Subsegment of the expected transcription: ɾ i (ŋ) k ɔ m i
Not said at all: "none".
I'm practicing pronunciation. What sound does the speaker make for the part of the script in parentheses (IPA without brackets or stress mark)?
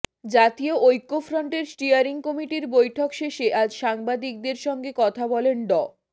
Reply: ŋ